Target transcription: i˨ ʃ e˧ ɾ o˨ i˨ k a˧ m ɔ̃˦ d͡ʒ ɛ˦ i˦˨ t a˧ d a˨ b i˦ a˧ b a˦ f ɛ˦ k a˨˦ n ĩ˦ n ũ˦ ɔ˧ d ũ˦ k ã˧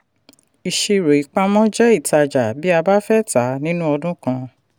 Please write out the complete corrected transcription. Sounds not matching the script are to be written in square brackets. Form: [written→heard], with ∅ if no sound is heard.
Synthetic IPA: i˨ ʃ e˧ ɾ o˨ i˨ [k→k͡p] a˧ m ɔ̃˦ d͡ʒ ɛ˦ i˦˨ t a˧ [d→d͡ʒ] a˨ b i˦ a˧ b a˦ f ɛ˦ [k→t] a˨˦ n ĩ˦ n ũ˦ ɔ˧ d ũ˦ k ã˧